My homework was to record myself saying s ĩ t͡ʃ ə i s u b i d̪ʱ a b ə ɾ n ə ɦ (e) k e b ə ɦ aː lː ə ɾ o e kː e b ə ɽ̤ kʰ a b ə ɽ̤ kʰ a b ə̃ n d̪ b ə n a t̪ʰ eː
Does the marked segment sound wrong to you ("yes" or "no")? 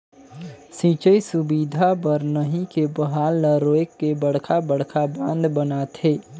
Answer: yes